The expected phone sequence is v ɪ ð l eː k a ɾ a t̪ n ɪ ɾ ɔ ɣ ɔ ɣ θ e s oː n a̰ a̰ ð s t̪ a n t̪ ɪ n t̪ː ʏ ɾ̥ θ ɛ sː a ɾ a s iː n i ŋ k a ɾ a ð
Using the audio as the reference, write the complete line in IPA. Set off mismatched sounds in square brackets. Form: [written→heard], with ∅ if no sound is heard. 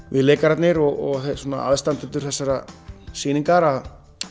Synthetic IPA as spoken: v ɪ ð l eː k a ɾ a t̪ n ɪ ɾ ɔ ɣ ɔ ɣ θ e s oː n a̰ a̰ ð s t̪ a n t̪ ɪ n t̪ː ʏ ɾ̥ θ ɛ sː a ɾ a s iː n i ŋ k a ɾ a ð